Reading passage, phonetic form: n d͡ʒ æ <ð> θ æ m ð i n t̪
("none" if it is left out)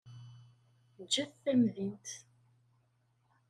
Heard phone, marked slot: θ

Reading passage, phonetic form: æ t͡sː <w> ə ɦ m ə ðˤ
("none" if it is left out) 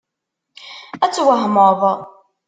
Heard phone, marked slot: w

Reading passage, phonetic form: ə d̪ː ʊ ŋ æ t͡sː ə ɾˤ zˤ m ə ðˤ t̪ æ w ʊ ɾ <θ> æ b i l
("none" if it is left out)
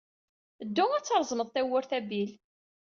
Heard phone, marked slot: θ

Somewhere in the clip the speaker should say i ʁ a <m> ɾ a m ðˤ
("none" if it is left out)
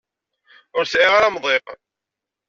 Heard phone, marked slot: none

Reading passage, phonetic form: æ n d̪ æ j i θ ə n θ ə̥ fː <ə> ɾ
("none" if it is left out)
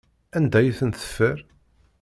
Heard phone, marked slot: ə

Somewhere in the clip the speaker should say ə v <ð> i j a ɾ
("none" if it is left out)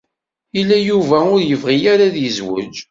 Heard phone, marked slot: ʁ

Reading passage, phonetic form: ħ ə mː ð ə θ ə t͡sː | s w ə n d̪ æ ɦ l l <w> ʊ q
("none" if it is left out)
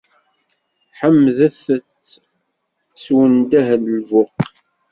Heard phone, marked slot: v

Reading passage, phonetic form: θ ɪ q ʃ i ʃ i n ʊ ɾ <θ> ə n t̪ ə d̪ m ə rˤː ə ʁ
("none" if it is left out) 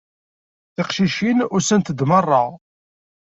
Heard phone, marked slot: s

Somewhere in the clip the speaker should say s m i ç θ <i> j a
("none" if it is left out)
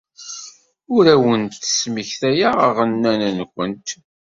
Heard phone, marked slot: æ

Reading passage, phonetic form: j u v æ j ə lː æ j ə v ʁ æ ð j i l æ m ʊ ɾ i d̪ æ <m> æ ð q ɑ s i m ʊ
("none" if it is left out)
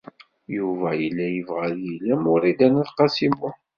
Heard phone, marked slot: n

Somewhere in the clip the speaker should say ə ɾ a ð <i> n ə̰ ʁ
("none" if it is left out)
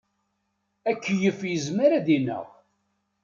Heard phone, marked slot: i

